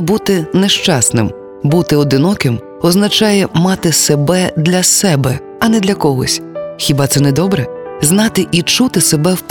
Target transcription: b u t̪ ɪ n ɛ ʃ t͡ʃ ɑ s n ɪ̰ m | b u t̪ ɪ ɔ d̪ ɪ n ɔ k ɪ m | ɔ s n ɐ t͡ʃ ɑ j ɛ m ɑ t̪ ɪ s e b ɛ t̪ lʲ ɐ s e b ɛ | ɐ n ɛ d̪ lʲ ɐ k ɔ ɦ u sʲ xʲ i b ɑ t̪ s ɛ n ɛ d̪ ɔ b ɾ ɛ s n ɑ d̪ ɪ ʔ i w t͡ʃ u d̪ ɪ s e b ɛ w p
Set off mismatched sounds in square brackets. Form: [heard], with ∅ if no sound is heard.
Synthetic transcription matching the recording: b u t̪ ɪ n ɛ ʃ t͡ʃ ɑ s n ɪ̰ m | b u t̪ ɪ ɔ d̪ ɪ n ɔ k ɪ m | ɔ [z] n ɐ t͡ʃ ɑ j ɛ m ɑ t̪ ɪ s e b ɛ [d̪] lʲ ɐ s [ɛ] b ɛ | ɐ n ɛ d̪ lʲ ɐ k ɔ ɦ [ɔ] sʲ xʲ i b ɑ t̪ s ɛ n ɛ d̪ ɔ b ɾ ɛ [z] n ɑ [t̪] ɪ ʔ i [∅] t͡ʃ u [t̪] ɪ s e b ɛ w p